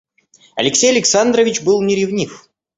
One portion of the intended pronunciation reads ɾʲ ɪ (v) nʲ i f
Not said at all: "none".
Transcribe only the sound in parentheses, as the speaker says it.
v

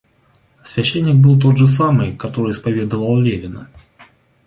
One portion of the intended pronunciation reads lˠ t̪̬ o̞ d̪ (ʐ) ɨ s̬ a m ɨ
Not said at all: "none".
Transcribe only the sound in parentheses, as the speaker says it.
ʐ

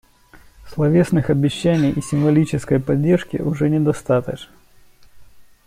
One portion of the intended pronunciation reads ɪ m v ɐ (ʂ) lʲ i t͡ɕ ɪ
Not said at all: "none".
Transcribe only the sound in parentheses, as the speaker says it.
none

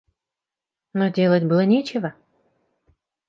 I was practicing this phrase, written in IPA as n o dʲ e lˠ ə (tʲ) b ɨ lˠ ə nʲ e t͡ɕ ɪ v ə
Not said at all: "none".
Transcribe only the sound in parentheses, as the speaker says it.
tʲ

